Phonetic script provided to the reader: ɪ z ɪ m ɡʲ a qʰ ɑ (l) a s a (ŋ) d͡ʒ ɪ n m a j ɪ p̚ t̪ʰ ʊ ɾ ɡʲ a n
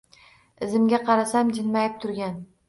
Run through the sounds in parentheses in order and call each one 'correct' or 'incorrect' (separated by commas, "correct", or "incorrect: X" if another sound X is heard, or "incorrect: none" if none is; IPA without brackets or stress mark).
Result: incorrect: ɾ, incorrect: m